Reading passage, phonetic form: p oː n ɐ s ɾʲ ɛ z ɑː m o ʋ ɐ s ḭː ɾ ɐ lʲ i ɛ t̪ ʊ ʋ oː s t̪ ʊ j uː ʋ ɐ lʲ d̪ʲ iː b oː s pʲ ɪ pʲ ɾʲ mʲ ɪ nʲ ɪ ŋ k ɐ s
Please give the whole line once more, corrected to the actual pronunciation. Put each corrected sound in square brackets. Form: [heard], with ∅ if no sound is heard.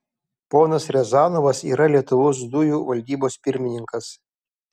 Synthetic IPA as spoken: p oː n ɐ s ɾʲ ɛ z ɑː [n] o ʋ ɐ s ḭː ɾ ɐ lʲ i ɛ t̪ ʊ ʋ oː s [d̪] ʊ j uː ʋ ɐ lʲ d̪ʲ iː b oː s pʲ ɪ [∅] ɾʲ mʲ ɪ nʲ ɪ ŋ k ɐ s